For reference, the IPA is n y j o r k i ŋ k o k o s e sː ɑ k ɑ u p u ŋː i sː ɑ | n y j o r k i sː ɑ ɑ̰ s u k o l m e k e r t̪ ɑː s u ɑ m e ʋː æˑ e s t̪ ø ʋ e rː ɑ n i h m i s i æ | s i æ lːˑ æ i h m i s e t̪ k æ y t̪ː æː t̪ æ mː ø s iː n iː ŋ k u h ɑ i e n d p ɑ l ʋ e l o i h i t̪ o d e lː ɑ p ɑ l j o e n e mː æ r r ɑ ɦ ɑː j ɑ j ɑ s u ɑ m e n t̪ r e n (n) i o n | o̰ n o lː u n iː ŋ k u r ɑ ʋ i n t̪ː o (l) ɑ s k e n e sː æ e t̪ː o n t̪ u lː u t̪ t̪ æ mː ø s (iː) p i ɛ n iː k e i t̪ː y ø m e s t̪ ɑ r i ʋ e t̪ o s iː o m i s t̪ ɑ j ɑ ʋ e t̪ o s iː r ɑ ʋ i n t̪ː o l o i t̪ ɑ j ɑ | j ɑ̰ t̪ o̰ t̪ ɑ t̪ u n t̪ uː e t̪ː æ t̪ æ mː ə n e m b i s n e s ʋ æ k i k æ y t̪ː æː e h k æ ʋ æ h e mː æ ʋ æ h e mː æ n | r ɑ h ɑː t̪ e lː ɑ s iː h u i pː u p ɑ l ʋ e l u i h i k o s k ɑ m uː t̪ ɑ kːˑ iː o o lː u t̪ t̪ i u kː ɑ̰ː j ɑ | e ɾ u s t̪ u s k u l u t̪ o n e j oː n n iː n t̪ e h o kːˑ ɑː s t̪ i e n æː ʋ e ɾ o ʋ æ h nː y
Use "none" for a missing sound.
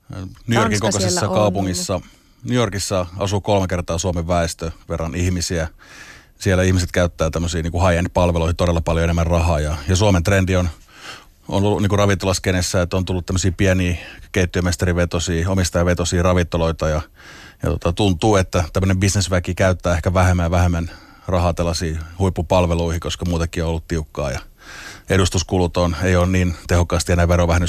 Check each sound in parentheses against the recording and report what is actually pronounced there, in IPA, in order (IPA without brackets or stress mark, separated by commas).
d, l, iː